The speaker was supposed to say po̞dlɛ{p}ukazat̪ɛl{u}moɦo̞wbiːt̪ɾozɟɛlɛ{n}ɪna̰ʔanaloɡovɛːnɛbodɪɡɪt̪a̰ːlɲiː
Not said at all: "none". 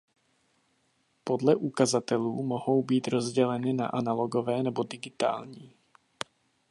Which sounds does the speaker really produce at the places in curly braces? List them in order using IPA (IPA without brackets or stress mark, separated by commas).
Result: ʔ, uː, n